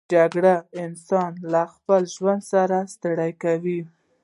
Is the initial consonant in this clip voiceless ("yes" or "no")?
no